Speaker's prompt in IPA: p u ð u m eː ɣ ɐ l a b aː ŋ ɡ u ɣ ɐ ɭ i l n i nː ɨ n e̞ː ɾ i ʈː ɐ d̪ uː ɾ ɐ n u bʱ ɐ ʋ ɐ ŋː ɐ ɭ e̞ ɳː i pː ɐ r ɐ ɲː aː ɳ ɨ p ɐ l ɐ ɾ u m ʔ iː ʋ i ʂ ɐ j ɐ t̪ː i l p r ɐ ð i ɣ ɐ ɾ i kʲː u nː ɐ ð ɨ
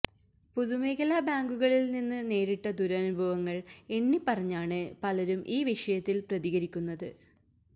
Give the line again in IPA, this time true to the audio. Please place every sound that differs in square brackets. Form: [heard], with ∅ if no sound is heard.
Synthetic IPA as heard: p u ð u m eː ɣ ɐ l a b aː ŋ ɡ u ɣ ɐ ɭ i l n i nː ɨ n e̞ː ɾ i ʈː ɐ d̪ [u] ɾ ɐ n u bʱ ɐ ʋ ɐ ŋː ɐ ɭ e̞ ɳː i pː ɐ r ɐ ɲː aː ɳ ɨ p ɐ l ɐ ɾ u m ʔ iː ʋ i ʂ ɐ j ɐ t̪ː i l p r ɐ ð i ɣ ɐ ɾ i kʲː u nː ɐ ð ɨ